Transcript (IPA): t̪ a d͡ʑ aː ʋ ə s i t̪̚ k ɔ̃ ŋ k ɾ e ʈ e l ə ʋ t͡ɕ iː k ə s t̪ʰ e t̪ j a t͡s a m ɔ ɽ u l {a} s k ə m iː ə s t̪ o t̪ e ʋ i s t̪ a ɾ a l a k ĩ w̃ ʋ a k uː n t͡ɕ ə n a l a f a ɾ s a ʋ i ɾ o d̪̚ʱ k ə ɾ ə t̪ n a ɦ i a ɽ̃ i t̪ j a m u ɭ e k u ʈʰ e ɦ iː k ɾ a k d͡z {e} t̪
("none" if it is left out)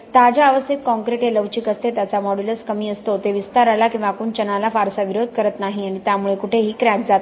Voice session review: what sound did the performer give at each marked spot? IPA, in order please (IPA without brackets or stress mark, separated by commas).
ə, a